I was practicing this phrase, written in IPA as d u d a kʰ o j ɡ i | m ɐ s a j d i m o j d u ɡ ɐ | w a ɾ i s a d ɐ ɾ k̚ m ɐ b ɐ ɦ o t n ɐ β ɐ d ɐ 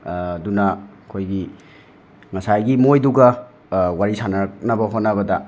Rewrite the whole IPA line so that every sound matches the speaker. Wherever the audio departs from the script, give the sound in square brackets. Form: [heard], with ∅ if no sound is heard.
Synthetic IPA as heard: d u [n] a kʰ o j ɡ i | [ŋ] ɐ s a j [ɡ] i m o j d u ɡ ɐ | w a ɾ i s a [n] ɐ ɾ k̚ [n] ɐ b ɐ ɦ o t n ɐ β ɐ d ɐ